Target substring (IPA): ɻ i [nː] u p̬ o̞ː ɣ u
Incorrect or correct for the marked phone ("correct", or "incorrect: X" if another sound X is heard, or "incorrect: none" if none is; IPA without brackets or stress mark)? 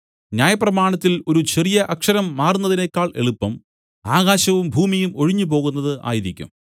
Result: incorrect: ɲː